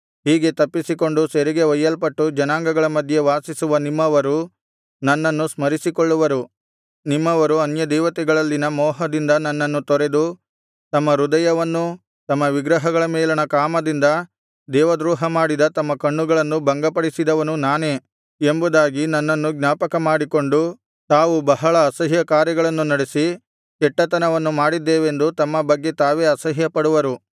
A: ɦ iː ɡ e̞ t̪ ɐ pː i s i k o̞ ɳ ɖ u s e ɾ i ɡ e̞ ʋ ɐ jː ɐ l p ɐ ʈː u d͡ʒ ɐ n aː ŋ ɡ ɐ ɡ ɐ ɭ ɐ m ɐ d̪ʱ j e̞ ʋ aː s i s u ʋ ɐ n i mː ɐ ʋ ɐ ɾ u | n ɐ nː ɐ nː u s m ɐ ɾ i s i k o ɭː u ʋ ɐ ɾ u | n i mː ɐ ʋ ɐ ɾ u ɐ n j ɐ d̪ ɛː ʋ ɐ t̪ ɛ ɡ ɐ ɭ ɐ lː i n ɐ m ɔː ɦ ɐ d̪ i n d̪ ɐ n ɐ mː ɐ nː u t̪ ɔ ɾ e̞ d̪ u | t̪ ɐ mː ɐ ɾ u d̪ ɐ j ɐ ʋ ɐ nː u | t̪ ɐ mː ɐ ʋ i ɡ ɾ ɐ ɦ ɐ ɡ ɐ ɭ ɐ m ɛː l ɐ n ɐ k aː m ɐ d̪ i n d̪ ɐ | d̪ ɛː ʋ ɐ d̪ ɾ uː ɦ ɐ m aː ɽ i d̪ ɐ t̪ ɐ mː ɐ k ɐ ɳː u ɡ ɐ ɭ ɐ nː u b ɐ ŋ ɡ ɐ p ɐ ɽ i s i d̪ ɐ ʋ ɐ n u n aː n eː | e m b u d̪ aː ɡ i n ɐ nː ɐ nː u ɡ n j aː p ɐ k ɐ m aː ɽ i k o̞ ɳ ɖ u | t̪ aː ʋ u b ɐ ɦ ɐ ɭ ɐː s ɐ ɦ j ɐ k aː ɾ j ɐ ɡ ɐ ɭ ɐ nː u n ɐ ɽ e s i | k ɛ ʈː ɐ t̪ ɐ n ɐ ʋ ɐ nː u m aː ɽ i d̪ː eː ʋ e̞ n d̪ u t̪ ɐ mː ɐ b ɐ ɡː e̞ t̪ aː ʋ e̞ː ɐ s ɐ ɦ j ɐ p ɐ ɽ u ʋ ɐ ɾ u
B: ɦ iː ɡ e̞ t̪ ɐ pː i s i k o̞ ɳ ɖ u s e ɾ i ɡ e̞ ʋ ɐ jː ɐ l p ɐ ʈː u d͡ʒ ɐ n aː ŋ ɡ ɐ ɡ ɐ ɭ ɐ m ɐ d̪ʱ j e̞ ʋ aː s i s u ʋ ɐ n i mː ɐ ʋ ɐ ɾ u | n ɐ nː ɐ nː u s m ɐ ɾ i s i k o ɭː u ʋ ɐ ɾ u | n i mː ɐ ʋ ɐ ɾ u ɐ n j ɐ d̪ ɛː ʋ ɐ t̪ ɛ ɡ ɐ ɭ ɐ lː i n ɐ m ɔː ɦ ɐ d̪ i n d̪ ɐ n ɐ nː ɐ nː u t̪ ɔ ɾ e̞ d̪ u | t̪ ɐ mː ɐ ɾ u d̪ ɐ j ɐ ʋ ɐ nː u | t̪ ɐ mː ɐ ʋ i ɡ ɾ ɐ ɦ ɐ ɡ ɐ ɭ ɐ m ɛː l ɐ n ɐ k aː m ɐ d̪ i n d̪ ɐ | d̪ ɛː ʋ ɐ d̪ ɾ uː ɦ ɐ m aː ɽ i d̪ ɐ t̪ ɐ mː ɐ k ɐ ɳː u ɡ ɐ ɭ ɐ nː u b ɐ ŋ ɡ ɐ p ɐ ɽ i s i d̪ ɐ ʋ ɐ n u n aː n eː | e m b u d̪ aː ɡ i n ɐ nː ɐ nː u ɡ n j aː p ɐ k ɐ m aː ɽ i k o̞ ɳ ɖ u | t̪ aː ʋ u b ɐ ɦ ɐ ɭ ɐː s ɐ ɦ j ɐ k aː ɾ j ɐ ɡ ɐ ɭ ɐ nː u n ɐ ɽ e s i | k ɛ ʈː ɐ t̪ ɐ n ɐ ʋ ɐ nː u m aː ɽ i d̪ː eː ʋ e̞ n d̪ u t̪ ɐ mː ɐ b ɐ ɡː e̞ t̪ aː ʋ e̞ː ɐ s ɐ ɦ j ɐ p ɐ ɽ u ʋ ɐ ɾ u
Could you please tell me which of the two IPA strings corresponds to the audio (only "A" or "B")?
B